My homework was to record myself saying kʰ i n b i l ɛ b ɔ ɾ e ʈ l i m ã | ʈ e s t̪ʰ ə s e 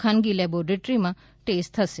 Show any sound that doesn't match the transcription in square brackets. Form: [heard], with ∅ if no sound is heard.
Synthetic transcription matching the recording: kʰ [a] n [ɡ] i l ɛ b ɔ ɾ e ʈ [ɾ] i m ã | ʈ e s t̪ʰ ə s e